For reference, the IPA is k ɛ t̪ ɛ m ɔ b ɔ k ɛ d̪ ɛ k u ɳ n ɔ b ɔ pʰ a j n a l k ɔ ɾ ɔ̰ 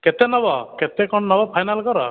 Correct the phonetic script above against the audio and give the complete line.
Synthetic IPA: k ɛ t̪ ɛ n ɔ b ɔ k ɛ t̪ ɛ k ɔ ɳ n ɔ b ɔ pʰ a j n a l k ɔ ɾ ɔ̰